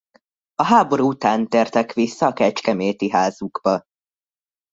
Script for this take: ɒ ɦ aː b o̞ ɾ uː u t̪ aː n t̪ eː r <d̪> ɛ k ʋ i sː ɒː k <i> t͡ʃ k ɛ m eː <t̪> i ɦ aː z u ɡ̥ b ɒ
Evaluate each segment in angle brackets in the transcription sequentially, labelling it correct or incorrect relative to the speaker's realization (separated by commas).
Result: incorrect, incorrect, correct